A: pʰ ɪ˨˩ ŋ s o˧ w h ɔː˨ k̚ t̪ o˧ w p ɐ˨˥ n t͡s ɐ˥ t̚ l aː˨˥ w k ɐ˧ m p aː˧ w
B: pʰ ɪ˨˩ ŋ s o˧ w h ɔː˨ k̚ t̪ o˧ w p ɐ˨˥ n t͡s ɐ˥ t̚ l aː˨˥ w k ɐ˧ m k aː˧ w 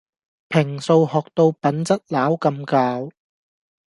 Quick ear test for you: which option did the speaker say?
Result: B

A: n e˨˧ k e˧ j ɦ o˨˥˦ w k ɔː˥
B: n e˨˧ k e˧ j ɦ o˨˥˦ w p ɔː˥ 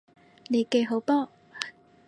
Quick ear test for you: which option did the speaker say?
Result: B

